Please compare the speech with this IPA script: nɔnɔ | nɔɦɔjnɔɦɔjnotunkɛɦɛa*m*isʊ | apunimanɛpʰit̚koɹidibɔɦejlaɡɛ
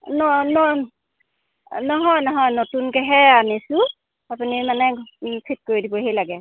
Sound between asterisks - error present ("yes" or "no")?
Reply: yes